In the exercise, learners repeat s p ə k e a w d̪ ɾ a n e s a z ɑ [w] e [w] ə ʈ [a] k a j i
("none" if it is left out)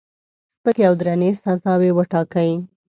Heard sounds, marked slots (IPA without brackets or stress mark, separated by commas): w, w, ɑ